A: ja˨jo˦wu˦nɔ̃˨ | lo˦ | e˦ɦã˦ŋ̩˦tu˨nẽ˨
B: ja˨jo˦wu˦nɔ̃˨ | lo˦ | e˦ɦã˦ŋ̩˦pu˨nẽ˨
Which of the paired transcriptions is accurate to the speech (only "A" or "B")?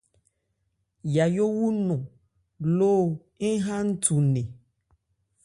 A